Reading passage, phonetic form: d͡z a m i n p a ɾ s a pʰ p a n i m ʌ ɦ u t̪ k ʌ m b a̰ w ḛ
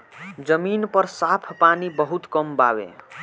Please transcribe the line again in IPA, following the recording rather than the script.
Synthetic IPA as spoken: d͡z ʌ m i n p ʌ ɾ s a pʰ p a n i b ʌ ɦ u t̪ k ʌ m b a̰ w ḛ